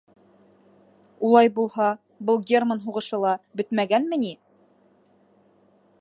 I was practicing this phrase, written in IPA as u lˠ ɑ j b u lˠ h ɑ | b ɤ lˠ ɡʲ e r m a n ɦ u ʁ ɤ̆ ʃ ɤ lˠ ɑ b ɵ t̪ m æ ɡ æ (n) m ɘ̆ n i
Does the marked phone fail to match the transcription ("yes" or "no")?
no